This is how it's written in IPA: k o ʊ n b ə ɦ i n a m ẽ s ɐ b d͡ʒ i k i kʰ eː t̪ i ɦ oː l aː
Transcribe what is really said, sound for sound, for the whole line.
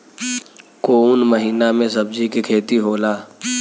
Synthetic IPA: k o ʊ n m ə ɦ iː n a m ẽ s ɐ b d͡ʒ i k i kʰ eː t̪ i ɦ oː l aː